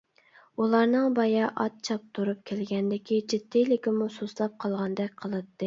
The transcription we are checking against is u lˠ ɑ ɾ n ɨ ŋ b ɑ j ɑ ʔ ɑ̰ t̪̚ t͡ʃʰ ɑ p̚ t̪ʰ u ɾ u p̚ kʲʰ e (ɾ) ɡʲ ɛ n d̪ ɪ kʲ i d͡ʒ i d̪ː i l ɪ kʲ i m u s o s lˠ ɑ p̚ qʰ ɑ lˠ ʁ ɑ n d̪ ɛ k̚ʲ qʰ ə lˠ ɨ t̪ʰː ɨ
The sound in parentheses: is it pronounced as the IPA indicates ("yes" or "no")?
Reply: no